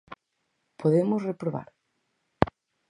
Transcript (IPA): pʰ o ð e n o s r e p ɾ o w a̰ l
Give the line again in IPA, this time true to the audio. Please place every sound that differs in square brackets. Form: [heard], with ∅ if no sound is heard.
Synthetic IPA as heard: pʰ o ð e [m] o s r e p ɾ o [β] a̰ [ɾ]